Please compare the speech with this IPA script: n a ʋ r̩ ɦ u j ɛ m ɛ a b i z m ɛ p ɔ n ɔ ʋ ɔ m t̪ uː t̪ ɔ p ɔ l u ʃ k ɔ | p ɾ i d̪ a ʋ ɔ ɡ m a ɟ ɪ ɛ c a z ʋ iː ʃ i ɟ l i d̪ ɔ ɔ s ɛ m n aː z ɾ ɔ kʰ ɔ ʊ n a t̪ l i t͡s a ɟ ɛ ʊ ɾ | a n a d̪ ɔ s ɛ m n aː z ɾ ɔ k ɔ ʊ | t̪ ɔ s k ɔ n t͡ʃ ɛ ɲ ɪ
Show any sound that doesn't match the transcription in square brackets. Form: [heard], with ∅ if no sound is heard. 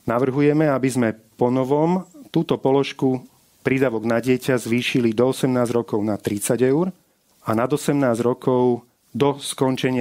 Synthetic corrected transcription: n a ʋ r̩ ɦ u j ɛ m ɛ a b i z m ɛ p ɔ n ɔ ʋ ɔ m t̪ uː t̪ ɔ p ɔ l [ɔ] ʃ k [u] | p ɾ i d̪ a ʋ ɔ ɡ [n] a ɟ ɪ ɛ c a z ʋ iː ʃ i [∅] l i d̪ ɔ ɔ s ɛ m n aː z ɾ ɔ [k] ɔ ʊ n a t̪ [ɾ] i t͡s a ɟ ɛ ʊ ɾ | a n a d̪ ɔ s ɛ m n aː z ɾ ɔ k ɔ ʊ | [d̪] ɔ s k ɔ n t͡ʃ ɛ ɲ ɪ